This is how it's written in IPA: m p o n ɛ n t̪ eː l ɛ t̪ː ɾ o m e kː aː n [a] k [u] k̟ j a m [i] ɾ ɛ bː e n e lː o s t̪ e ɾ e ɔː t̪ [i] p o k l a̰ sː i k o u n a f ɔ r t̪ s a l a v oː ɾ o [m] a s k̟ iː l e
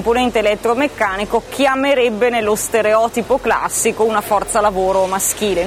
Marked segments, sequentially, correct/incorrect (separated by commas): incorrect, incorrect, incorrect, correct, correct